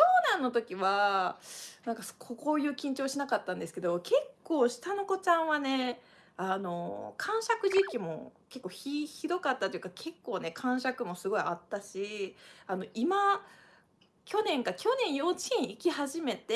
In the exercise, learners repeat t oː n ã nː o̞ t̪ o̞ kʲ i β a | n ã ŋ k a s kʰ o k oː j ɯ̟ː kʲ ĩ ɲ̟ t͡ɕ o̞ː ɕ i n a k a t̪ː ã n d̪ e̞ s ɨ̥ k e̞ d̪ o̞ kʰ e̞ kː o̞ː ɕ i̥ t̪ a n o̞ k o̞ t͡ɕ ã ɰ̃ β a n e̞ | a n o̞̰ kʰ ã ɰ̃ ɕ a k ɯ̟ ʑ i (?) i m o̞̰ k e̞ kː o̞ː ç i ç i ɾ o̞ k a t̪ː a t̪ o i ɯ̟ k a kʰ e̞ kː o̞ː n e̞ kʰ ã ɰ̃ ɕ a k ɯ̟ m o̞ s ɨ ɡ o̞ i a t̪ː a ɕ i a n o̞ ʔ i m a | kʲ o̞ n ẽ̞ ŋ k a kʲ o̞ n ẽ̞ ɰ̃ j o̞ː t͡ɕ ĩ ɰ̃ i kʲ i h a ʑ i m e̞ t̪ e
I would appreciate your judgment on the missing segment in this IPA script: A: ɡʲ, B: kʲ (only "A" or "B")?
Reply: B